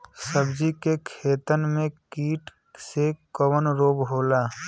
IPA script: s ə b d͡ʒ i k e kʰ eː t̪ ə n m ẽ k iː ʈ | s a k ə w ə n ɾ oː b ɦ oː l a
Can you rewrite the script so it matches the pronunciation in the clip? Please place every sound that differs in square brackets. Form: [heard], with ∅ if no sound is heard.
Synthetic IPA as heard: s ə b d͡ʒ i k e kʰ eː t̪ ə n m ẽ k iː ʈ | s [e] k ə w ə n ɾ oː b ɦ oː l a